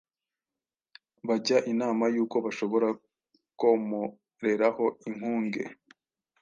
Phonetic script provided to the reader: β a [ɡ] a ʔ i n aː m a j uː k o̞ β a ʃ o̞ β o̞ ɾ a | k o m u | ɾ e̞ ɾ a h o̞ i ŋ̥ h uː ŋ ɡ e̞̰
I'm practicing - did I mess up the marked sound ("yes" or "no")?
yes